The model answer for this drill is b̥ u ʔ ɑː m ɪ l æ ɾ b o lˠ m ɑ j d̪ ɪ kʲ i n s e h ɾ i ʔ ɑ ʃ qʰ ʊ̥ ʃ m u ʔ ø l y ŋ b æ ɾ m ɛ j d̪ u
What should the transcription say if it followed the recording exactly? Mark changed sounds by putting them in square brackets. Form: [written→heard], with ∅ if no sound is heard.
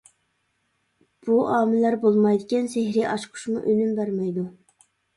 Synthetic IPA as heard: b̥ u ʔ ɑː m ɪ l æ ɾ b o lˠ m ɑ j d̪ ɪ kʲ [i→ɛ] n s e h ɾ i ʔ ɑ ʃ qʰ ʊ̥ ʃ m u ʔ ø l y [ŋ→m] b æ ɾ m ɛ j d̪ u